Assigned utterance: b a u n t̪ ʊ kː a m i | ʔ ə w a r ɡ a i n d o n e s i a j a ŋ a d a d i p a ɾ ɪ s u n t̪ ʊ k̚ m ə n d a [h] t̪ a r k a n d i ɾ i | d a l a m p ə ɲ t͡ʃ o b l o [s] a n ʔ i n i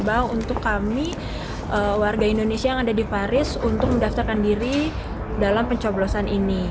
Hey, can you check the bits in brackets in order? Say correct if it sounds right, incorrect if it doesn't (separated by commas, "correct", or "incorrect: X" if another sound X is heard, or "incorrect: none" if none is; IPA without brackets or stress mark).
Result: incorrect: f, correct